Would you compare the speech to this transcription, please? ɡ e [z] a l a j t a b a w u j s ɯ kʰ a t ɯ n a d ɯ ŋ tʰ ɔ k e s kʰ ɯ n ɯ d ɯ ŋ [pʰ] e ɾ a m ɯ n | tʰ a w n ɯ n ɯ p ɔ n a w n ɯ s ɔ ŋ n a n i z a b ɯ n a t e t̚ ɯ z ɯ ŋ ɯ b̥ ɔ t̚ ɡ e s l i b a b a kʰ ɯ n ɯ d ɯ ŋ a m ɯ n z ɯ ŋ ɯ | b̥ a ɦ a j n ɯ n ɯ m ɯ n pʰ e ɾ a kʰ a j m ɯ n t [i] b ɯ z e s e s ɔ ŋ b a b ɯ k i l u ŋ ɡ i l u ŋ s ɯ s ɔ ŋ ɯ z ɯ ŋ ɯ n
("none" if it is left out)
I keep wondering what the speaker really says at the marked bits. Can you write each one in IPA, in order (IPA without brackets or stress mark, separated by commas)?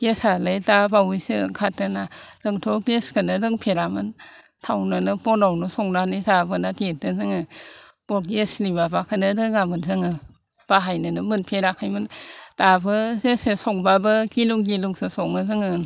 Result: s, pʰ, a